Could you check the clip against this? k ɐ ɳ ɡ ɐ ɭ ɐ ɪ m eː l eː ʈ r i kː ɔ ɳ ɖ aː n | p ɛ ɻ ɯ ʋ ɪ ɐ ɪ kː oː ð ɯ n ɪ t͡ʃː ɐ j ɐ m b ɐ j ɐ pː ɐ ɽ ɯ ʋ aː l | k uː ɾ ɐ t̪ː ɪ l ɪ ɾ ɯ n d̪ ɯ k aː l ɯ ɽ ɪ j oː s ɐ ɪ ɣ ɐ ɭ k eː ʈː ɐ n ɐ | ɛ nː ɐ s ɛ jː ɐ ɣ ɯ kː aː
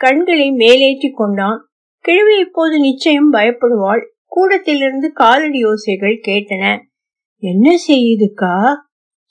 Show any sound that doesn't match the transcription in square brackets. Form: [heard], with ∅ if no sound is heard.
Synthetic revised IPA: k ɐ ɳ ɡ ɐ ɭ ɐ ɪ m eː l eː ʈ r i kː ɔ ɳ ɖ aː n | [k] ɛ ɻ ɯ ʋ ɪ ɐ ɪ [pː] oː ð ɯ n ɪ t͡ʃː ɐ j ɐ m b ɐ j ɐ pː ɐ ɽ ɯ ʋ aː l | k uː [ɽ] ɐ t̪ː ɪ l ɪ ɾ ɯ n d̪ ɯ k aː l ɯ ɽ ɪ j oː s ɐ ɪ ɣ ɐ ɭ k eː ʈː ɐ n ɐ | ɛ nː ɐ s ɛ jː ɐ [ð] ɯ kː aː